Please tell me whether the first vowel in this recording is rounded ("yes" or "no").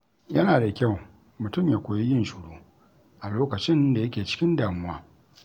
no